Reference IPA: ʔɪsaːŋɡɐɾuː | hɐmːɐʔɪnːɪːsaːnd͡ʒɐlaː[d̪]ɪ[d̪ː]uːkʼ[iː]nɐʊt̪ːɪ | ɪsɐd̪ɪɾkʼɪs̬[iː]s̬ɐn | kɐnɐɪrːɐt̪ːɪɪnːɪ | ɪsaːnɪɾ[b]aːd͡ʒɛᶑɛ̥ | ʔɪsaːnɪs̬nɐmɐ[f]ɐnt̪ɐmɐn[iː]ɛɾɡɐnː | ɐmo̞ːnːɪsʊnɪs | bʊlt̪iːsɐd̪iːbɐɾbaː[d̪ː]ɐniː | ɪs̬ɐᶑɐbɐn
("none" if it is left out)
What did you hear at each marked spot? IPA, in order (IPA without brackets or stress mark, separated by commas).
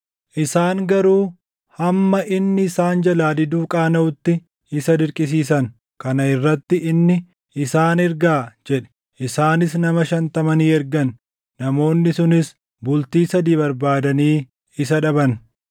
d̪, d̪, aː, iː, ɡ, ʃ, iː, d̪